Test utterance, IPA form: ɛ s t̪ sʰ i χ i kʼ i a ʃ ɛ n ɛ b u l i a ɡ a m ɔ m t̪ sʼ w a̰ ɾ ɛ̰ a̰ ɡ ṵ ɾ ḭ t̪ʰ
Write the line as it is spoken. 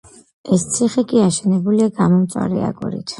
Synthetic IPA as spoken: ɛ s t̪ sʰ i χ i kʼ i a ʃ ɛ n ɛ b u l i a ɡ a m ɔ m t̪ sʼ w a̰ ɾ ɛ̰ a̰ ɡ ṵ ɾ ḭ t̪ʰ